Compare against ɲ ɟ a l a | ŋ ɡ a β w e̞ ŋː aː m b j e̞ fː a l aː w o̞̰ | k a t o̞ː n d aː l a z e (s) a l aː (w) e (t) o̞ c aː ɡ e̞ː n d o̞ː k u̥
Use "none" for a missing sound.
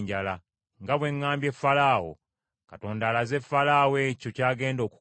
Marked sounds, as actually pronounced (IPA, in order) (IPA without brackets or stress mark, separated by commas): f, w, c